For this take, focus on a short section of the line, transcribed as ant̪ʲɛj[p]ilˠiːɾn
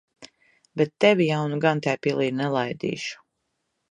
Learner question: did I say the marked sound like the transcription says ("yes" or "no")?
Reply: yes